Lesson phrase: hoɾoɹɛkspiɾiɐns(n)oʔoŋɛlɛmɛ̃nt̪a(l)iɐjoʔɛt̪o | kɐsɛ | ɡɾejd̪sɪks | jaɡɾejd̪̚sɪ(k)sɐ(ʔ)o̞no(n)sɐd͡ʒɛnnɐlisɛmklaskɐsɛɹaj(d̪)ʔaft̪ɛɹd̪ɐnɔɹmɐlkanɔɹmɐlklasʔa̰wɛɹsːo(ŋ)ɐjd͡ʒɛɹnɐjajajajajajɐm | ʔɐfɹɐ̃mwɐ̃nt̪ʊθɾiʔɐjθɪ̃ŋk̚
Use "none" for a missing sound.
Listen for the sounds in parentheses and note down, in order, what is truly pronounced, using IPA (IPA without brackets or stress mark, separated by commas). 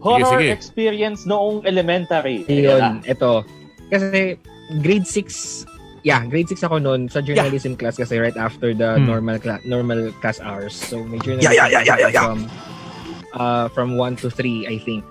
n, ɾ, k, k, n, t̪, m